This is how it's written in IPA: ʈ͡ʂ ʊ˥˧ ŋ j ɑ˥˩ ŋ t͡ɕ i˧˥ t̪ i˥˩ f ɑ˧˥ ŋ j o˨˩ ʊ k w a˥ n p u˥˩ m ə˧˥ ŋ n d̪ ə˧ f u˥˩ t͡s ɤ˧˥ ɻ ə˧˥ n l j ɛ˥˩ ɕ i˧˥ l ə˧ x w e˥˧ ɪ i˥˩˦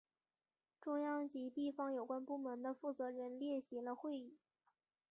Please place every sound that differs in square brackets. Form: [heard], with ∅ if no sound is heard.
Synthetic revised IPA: ʈ͡ʂ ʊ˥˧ ŋ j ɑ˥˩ ŋ t͡ɕ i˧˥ t̪ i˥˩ f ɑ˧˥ ŋ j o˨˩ ʊ k w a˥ n p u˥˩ m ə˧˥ [∅] n d̪ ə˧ f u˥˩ t͡s ɤ˧˥ ɻ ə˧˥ n l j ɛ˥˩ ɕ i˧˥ l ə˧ x w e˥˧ ɪ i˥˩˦